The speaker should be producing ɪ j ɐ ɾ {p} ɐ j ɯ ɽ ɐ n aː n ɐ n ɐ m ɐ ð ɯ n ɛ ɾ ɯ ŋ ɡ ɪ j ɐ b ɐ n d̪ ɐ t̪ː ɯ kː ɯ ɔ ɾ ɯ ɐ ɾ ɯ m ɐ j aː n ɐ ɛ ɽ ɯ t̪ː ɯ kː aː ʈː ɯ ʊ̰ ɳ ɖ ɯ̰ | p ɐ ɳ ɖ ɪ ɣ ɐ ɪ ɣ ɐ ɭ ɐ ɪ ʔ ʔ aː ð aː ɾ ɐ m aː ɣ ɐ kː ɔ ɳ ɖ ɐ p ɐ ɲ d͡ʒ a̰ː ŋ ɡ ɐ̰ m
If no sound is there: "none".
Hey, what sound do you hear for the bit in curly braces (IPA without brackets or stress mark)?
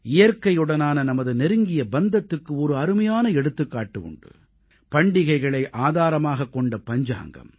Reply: k